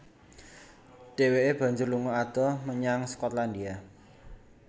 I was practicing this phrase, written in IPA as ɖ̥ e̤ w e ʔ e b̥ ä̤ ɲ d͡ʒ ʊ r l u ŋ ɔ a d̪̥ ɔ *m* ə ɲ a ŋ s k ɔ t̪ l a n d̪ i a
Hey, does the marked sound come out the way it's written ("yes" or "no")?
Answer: yes